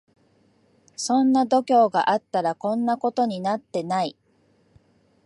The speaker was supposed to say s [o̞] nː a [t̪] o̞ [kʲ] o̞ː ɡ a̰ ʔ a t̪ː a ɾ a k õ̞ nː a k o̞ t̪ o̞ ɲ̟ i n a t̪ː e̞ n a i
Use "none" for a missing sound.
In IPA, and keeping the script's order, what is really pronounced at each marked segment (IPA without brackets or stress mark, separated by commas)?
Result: õ̞, d̪, kʲ